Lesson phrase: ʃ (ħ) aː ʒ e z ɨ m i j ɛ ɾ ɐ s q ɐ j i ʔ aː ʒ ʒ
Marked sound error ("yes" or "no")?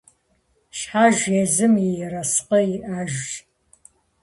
no